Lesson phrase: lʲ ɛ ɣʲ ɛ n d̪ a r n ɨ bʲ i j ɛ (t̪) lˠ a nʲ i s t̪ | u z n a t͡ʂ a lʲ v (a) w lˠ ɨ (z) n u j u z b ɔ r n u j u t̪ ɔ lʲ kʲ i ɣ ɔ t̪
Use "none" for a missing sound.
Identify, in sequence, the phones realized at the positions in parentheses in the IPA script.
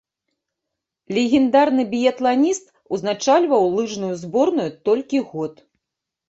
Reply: t̪, ɐ, ʐ

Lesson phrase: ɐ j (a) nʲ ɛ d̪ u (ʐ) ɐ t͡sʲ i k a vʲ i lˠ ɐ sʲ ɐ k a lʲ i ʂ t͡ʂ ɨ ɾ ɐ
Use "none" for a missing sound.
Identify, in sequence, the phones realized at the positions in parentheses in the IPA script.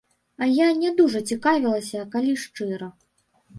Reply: a, ʐ

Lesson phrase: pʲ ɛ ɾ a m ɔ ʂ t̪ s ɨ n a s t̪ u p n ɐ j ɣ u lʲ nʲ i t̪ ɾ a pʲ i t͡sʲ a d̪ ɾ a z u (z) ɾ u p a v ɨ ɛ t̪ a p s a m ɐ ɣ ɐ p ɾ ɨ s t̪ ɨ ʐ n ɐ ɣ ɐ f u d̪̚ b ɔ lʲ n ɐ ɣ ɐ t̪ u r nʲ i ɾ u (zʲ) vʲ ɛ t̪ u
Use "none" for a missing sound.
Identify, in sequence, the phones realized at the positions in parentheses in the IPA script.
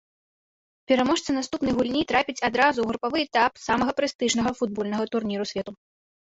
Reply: ɣ, sʲ

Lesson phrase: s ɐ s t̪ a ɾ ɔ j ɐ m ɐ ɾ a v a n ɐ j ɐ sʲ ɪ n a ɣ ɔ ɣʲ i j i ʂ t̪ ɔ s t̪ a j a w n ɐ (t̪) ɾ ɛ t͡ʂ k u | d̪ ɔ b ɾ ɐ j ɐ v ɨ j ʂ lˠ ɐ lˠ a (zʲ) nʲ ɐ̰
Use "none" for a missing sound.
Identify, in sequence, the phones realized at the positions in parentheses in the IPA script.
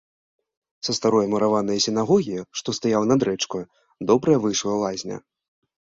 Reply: d̪, zʲ

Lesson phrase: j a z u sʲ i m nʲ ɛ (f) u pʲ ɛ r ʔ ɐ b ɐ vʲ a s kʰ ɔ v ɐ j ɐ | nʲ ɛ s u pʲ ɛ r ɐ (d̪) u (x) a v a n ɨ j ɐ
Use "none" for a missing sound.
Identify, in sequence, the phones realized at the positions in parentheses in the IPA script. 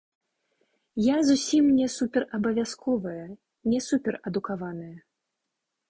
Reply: s, d̪, k

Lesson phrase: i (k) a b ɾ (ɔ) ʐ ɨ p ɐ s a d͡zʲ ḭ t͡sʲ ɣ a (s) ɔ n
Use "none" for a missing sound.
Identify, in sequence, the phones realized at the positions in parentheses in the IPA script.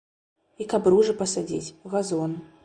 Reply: k, u, z

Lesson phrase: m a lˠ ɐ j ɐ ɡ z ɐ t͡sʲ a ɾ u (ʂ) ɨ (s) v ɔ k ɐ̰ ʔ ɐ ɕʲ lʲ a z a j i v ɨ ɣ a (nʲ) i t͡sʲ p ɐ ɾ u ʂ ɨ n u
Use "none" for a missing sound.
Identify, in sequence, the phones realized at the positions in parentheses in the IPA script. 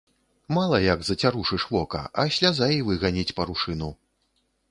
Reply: ʂ, ʂ, nʲ

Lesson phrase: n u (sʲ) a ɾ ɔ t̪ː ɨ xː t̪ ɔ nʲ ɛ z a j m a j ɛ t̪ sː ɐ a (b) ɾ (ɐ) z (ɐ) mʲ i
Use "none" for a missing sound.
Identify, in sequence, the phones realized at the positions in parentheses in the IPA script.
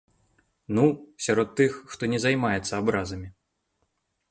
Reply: sʲ, b, a, ɐ

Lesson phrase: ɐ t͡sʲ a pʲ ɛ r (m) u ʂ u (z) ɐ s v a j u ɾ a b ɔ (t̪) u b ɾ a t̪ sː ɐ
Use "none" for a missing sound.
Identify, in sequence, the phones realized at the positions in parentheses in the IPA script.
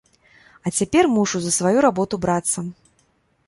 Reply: m, z, t̪

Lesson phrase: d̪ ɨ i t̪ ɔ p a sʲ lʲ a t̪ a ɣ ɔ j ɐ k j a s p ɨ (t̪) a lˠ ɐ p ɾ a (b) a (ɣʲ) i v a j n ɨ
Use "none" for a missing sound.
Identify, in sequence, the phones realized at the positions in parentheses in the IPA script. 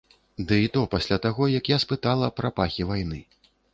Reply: t̪, p, xʲ

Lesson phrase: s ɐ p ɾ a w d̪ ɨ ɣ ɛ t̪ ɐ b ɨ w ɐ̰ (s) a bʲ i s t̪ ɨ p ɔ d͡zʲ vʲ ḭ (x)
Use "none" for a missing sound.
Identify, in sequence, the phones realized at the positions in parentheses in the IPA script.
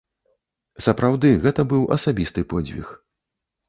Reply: s, x

